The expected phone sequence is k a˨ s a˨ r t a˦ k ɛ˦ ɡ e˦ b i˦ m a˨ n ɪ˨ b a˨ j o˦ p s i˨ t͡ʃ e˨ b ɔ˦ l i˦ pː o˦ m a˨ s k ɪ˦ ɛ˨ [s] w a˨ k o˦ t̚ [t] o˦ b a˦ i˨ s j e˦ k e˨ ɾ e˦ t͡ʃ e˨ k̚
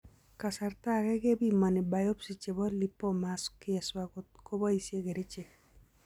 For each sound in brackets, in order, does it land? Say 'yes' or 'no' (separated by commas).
yes, no